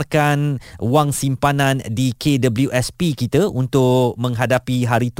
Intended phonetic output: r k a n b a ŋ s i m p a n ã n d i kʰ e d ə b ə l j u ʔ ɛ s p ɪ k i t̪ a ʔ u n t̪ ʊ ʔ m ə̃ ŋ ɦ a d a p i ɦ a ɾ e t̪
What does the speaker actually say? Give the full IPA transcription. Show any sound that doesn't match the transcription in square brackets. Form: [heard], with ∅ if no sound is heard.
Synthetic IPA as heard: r k a n [w] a ŋ s i m p a n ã n d i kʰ e d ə b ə l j u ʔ ɛ s p [i] k i t̪ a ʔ u n t̪ ʊ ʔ m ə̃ ŋ ɦ a d a p i ɦ a ɾ [i] t̪